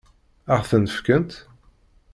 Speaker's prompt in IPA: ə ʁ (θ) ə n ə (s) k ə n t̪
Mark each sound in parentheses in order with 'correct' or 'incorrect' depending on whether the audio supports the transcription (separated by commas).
correct, incorrect